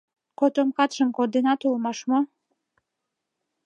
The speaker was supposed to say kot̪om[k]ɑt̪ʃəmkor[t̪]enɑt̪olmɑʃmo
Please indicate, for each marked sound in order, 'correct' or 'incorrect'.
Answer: correct, incorrect: d̪

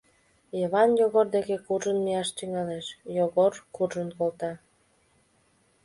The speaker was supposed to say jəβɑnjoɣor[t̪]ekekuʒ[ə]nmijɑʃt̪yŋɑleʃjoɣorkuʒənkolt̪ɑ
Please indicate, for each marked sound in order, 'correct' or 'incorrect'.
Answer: incorrect: d̪, correct

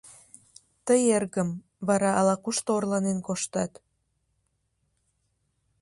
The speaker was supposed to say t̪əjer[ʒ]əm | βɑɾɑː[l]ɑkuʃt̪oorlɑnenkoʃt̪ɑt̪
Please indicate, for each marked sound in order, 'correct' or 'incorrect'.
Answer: incorrect: ɣ, correct

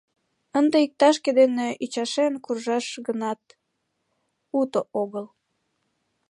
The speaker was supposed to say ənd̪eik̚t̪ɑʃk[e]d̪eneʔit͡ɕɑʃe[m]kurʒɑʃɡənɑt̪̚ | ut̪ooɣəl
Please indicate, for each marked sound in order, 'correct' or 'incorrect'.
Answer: correct, incorrect: n

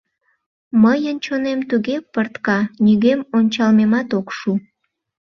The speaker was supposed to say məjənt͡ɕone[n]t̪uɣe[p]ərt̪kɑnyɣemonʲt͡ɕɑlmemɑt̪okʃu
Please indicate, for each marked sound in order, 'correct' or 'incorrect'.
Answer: incorrect: m, correct

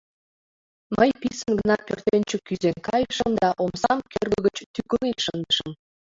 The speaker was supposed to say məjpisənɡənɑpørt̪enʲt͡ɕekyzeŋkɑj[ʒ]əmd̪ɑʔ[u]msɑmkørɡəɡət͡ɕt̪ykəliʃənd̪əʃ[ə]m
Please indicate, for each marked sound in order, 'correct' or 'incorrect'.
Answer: incorrect: ʃ, incorrect: o, correct

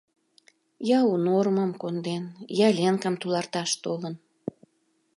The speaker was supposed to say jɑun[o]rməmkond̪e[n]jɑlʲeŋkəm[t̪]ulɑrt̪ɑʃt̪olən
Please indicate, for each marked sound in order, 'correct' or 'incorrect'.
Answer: correct, correct, correct

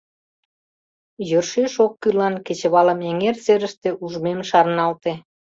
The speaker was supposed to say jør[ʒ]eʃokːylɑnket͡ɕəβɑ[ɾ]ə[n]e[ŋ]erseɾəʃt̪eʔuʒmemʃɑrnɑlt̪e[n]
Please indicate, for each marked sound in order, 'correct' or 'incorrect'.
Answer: incorrect: ʃ, incorrect: l, incorrect: m, correct, incorrect: none

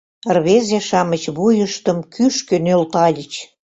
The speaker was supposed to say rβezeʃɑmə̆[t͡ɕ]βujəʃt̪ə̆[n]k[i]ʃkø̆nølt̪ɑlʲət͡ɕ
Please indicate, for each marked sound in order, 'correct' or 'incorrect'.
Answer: correct, incorrect: m, incorrect: y

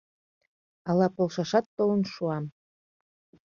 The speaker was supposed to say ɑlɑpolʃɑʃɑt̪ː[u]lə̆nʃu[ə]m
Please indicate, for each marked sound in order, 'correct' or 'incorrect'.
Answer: incorrect: o, incorrect: ɑ

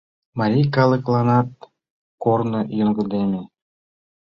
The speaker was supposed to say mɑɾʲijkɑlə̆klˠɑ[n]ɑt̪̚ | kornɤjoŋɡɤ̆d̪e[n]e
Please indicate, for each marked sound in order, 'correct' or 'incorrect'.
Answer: correct, incorrect: m

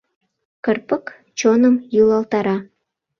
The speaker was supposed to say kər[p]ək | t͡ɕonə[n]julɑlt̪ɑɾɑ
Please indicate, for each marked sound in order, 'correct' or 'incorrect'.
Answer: correct, incorrect: m

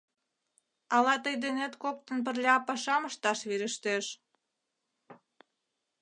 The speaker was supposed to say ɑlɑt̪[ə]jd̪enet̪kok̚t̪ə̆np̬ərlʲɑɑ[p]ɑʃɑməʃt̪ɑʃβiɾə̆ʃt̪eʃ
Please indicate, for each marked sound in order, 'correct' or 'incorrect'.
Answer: correct, correct

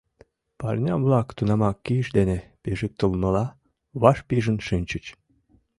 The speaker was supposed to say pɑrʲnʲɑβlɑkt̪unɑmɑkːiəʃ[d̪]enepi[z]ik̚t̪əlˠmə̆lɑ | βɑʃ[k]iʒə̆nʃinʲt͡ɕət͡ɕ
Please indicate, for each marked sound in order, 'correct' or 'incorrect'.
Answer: correct, incorrect: ʒ, incorrect: p

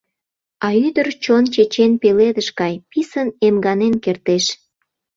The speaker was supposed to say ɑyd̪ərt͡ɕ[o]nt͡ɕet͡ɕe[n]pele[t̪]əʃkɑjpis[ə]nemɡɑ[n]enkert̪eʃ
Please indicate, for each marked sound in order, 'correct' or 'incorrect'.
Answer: correct, correct, incorrect: d̪, correct, correct

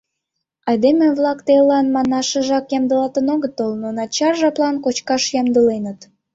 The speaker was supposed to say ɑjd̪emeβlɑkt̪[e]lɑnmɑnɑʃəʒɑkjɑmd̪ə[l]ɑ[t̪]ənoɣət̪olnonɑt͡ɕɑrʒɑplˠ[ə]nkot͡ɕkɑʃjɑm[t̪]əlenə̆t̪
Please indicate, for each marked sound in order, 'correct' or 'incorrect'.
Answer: correct, correct, correct, incorrect: ɑ, incorrect: d̪

